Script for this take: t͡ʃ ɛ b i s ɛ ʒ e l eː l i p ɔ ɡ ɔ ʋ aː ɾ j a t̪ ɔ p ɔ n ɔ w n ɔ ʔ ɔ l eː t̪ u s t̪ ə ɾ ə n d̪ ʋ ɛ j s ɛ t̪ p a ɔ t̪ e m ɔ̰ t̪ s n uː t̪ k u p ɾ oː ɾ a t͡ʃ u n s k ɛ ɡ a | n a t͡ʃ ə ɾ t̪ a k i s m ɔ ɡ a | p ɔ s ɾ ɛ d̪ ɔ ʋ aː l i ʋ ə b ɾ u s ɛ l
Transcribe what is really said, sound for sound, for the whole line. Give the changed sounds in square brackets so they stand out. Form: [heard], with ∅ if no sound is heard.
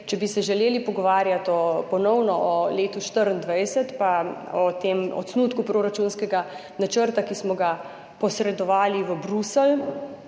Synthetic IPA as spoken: t͡ʃ ɛ b i s ɛ ʒ [ɛ] l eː l i p ɔ ɡ ɔ ʋ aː ɾ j a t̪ ɔ p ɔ n ɔ w n ɔ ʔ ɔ l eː t̪ u [ʃ] t̪ ə ɾ ə n d̪ ʋ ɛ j s ɛ t̪ p a ɔ t̪ e m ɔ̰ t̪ s n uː t̪ k u p ɾ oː ɾ a t͡ʃ u n s k ɛ ɡ a | n a t͡ʃ ə ɾ t̪ a k i s m ɔ ɡ a | p ɔ s ɾ ɛ d̪ ɔ ʋ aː l i ʋ ə b ɾ u s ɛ l